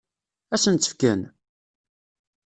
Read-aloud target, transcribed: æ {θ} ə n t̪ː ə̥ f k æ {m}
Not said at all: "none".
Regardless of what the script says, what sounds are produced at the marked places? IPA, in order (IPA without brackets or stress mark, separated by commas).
s, n